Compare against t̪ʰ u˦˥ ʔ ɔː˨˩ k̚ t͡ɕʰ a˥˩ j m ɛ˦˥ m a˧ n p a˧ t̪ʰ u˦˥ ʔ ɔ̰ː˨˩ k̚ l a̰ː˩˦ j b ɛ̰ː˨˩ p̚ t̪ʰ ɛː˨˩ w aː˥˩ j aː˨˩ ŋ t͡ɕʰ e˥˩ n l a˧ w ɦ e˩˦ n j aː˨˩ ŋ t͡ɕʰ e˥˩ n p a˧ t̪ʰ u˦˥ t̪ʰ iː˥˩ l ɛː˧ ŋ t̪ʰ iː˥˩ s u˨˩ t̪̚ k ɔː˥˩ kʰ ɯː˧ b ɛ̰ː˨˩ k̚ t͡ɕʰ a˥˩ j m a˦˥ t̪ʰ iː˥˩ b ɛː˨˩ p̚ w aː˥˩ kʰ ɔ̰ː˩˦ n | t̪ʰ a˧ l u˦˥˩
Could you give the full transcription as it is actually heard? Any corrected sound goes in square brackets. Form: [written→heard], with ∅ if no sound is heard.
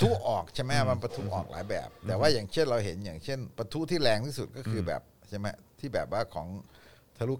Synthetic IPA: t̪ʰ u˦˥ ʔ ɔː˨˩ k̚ t͡ɕʰ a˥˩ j m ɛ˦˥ m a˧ n p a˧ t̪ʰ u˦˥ ʔ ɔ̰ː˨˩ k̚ l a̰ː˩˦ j b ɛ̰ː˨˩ p̚ [t̪ʰ→t̪] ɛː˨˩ w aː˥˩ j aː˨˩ ŋ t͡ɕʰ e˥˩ n [l→ɾ] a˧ w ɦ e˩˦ n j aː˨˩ ŋ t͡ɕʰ e˥˩ n p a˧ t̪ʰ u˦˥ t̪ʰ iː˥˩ l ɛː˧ ŋ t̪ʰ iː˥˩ s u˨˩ t̪̚ k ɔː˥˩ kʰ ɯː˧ b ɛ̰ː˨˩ [k̚→p̚] t͡ɕʰ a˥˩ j m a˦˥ t̪ʰ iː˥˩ b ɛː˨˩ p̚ w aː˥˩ kʰ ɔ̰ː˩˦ [n→ŋ] | t̪ʰ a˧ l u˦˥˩